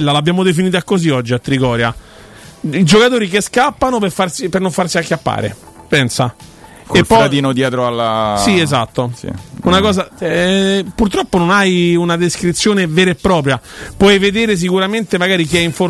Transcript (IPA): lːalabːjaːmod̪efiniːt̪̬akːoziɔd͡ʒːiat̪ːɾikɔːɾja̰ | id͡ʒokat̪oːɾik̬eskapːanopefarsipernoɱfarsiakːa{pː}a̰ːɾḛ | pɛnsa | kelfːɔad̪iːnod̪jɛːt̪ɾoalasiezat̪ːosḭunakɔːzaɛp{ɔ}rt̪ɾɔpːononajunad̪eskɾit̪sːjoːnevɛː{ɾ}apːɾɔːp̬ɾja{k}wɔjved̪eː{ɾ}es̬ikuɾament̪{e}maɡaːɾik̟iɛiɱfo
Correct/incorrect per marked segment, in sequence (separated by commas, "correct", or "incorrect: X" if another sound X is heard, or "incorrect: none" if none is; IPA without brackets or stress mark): correct, incorrect: u, correct, incorrect: p, correct, correct